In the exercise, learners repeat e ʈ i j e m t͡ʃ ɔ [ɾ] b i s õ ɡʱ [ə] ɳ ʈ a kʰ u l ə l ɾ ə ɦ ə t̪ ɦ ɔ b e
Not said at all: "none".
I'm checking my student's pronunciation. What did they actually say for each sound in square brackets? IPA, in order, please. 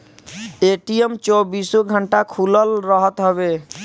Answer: none, ə

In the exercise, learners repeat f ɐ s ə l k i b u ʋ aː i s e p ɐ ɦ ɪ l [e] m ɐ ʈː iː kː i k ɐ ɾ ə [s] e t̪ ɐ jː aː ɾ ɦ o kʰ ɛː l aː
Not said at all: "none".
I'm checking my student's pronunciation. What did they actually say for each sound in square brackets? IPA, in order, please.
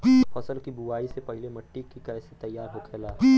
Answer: e, s

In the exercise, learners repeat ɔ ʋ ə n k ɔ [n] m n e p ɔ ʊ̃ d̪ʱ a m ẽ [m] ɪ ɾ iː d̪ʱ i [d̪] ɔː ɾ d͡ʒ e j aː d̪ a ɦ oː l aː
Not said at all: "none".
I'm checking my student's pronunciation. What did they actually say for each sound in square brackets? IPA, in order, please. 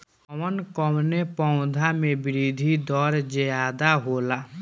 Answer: none, b, d̪

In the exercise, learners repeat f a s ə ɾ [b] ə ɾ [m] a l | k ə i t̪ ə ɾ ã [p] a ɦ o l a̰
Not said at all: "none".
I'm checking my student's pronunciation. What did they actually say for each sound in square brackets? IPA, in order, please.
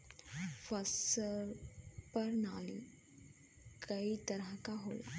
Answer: p, n, k

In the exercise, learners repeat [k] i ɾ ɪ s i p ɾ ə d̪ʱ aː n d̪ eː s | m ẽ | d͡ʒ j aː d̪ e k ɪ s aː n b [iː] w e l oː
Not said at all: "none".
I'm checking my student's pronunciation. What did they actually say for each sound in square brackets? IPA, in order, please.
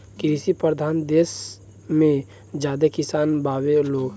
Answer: k, aː

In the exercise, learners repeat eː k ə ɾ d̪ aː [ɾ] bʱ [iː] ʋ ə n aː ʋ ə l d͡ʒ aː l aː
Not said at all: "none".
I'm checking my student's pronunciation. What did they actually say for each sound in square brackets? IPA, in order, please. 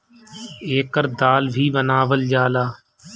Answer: l, iː

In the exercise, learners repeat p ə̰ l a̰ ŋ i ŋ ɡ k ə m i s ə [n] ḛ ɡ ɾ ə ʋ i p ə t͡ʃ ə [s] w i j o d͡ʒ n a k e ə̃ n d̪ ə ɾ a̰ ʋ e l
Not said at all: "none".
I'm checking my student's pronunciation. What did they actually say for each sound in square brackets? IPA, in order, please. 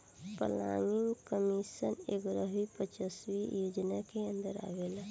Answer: n, s

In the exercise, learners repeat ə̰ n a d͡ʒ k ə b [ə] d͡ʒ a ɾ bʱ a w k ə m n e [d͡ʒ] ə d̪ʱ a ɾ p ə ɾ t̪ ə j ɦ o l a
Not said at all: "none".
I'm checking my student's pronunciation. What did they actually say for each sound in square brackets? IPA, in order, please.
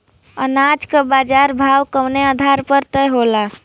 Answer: a, none

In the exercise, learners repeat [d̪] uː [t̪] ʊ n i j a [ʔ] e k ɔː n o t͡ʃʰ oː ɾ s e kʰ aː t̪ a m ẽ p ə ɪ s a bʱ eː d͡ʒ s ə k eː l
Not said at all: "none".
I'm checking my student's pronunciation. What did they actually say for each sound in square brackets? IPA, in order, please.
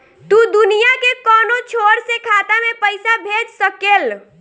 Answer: t̪, d̪, k

